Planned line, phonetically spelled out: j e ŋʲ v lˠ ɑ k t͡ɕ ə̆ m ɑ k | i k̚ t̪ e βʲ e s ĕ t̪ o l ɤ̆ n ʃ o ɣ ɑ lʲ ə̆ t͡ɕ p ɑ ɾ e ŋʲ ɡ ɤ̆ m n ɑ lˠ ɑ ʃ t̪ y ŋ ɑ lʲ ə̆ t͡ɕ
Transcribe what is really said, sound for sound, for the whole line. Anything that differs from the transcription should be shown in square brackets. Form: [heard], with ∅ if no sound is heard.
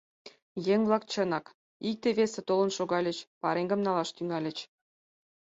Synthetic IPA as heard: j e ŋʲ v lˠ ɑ k t͡ɕ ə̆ [n] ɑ k | i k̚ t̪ e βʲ e s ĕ t̪ o l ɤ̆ n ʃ o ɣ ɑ lʲ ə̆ t͡ɕ p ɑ ɾ e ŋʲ ɡ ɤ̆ m n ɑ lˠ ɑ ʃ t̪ y ŋ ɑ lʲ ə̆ t͡ɕ

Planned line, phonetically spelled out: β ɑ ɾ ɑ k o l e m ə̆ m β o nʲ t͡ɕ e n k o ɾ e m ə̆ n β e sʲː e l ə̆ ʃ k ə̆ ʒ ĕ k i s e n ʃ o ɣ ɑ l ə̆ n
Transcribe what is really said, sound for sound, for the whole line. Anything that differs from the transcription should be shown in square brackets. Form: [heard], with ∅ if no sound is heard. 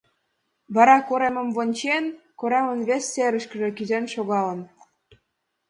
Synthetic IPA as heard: β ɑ ɾ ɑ k o [ɾ] e m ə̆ m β o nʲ t͡ɕ e n k o ɾ e m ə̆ n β e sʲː e [ɾ] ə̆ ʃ k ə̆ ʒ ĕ k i [z] e n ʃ o ɣ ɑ l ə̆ n

